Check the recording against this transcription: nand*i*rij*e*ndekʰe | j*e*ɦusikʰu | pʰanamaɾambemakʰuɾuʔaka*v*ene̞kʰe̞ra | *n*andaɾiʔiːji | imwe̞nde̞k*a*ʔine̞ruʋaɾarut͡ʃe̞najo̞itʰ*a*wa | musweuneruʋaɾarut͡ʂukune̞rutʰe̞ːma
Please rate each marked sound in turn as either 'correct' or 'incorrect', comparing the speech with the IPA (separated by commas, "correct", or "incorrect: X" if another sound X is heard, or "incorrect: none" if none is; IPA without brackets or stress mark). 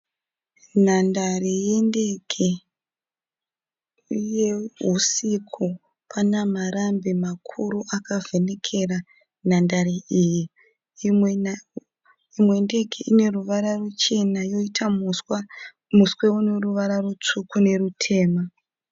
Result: incorrect: a, correct, correct, correct, correct, incorrect: e, correct